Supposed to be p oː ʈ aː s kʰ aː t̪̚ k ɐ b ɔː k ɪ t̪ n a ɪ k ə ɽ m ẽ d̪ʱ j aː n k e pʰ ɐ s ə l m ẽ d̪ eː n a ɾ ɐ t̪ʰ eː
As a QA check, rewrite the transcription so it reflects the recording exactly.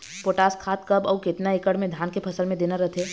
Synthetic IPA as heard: p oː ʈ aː s kʰ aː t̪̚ k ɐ b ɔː k ɪ t̪ n a ɪ k ə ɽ m ẽ d̪ʱ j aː n k e pʰ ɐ s ə l m ẽ d̪ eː n a ɾ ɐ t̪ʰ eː